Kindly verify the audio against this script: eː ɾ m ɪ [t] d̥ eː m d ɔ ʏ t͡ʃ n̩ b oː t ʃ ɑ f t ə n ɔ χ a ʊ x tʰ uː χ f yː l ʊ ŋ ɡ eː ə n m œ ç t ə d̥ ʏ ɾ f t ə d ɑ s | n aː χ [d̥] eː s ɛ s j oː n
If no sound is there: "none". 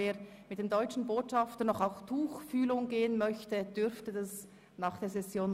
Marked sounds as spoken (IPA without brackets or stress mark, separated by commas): t, d̥